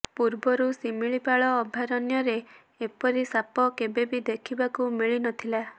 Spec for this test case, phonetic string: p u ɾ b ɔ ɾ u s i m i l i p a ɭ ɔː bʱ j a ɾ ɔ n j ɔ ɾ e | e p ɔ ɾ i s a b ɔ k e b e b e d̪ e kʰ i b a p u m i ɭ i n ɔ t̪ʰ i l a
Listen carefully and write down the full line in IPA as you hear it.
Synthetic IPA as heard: p u ɾ b ɔ ɾ u s i m i ɭ i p a ɭ ɔː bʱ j a ɾ ɔ n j ɔ ɾ e | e p ɔ ɾ i s a p ɔ k e b e b i d̪ e kʰ i b a k u m i ɭ i n ɔ t̪ʰ i l a